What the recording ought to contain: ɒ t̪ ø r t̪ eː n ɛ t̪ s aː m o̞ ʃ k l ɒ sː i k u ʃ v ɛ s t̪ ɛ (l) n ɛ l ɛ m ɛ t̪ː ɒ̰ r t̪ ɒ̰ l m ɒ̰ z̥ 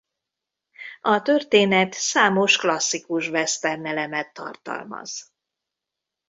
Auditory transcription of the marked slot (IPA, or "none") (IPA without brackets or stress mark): r